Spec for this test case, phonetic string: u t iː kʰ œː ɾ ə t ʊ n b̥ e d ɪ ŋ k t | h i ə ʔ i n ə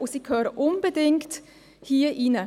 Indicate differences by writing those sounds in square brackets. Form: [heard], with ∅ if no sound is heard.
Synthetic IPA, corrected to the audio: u [s] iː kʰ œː ɾ ə [ʔ] ʊ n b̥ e d ɪ ŋ k t | h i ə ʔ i n ə